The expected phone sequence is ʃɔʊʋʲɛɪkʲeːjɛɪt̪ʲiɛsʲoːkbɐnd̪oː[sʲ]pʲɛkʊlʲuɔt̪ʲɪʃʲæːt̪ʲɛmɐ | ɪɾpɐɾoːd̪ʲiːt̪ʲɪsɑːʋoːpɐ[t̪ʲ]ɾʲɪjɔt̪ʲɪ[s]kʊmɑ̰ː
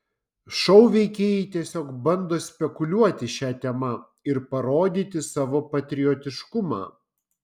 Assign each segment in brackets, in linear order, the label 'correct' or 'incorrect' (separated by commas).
correct, correct, incorrect